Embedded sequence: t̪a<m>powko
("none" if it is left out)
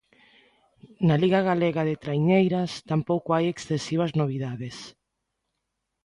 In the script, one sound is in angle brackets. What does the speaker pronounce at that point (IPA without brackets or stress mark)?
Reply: m